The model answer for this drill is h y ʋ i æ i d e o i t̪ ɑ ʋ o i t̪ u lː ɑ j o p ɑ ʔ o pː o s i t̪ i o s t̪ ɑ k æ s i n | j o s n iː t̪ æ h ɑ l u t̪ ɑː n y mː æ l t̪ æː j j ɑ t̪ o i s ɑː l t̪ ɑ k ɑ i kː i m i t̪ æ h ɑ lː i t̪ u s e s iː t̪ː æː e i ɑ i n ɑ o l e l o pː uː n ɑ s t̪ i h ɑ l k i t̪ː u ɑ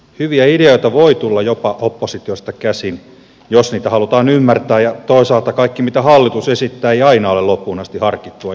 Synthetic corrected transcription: h y ʋ i æ i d e o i t̪ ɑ ʋ o i t̪ u lː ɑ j o p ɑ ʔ o pː o s i t̪ i o s t̪ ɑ k æ s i n | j o s n iː t̪ æ h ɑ l u t̪ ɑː n y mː æ r t̪ æː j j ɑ t̪ o i s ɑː l t̪ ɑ k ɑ i kː i m i t̪ æ h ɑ lː i t̪ u s e s i t̪ː æː e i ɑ i n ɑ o l e l o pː uː n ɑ s t̪ i h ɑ r k i t̪ː u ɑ